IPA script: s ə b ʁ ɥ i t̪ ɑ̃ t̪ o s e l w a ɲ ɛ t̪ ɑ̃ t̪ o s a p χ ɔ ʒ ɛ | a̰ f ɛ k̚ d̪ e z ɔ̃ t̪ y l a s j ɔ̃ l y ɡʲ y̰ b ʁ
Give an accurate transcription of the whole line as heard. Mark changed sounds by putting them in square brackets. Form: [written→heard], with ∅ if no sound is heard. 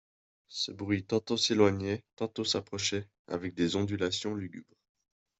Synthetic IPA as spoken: s ə b ʁ ɥ i t̪ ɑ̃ t̪ o s e l w a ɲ ɛ t̪ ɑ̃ t̪ o s a p χ ɔ [ʒ→ʃ] ɛ | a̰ [f→v] ɛ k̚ d̪ e z ɔ̃ [t̪→d̪] y l a s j ɔ̃ l y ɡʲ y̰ b ʁ